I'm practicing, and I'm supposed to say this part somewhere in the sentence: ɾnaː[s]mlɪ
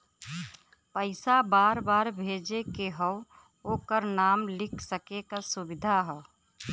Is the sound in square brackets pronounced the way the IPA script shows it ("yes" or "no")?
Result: no